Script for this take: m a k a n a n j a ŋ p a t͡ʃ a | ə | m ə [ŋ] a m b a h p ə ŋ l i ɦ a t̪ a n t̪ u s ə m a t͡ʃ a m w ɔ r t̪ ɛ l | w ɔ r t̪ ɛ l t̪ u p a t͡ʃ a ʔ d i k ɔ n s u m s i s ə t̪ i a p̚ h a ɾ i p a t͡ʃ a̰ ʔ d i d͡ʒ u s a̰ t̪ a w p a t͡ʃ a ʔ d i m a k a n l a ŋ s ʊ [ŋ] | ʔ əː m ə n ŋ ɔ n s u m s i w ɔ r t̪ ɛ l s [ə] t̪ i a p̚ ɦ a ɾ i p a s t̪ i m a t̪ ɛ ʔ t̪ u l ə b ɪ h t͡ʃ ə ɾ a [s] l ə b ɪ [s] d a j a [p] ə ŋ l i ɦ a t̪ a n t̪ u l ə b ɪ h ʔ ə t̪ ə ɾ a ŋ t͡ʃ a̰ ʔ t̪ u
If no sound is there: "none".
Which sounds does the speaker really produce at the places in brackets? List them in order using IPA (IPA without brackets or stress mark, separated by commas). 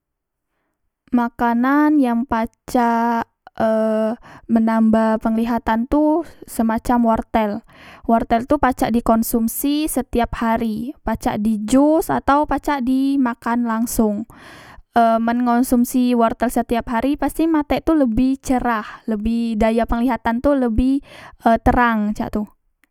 n, ŋ, ə, h, h, p